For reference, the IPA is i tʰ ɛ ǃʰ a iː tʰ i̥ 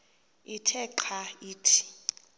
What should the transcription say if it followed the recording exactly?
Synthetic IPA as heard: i tʰ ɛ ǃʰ a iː tʰ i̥